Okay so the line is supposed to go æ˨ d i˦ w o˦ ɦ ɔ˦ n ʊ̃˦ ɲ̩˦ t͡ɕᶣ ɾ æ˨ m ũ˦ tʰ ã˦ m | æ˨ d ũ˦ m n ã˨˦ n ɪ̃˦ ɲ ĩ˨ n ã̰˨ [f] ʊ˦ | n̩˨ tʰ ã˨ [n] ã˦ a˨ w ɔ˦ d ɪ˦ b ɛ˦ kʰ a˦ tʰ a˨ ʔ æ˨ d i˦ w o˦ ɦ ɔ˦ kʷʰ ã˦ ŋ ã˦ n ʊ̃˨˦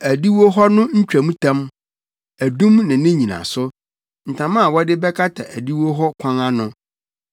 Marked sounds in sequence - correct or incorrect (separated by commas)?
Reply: incorrect, incorrect